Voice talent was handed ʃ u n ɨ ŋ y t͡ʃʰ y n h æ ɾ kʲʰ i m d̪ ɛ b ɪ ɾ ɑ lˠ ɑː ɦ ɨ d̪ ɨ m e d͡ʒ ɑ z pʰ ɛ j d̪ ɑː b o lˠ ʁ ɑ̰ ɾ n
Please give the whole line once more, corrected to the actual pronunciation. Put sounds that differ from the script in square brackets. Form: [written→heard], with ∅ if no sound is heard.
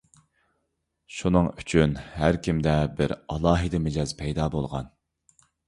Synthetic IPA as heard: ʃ u n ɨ ŋ y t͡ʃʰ y n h æ ɾ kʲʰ i m d̪ ɛ b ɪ ɾ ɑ lˠ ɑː ɦ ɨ d̪ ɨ m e d͡ʒ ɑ z pʰ ɛ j d̪ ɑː b o lˠ ʁ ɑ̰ [ɾ→∅] n